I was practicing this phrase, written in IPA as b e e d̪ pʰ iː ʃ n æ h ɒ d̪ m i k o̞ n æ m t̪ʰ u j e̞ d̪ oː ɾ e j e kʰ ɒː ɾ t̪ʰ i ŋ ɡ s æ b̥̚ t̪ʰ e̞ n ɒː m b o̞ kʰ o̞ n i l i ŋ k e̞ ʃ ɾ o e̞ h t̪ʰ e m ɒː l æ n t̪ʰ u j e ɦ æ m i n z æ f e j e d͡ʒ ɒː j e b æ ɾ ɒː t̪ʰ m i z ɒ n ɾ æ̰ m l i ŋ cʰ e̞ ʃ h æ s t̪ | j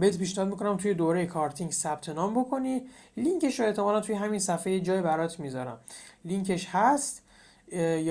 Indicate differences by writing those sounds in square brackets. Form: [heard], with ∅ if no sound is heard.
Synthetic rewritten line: b e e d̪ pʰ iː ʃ n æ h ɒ d̪ m i k o̞ n æ m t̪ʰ u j e̞ d̪ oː ɾ e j e kʰ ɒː ɾ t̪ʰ i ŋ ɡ s æ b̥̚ t̪ʰ e̞ n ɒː m b o̞ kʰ o̞ n i l i ŋ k e̞ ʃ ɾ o e̞ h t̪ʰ e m ɒː l æ n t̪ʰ u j e ɦ æ m i n [s] æ f e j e d͡ʒ ɒː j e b æ ɾ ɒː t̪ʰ m i z ɒ [∅] ɾ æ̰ m l i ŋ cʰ e̞ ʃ h æ s t̪ | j